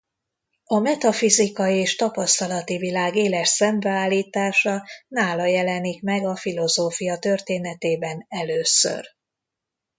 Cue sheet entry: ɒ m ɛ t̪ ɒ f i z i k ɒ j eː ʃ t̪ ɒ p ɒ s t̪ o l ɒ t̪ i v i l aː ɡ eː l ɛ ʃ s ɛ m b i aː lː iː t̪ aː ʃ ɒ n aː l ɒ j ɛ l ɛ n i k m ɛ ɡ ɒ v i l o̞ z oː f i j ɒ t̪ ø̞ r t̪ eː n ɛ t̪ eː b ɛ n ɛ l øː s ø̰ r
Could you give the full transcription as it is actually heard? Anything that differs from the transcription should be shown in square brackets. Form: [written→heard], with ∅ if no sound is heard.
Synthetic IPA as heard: ɒ m ɛ t̪ ɒ f i z i k ɒ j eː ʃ t̪ ɒ p ɒ s t̪ [o→ɒ] l ɒ t̪ i v i l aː ɡ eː l ɛ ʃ s ɛ m b [i→ɛ] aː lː iː t̪ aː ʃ ɒ n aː l ɒ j ɛ l ɛ n i k m ɛ ɡ ɒ [v→f] i l o̞ z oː f i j ɒ t̪ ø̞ r t̪ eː n ɛ t̪ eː b ɛ n ɛ l øː s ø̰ r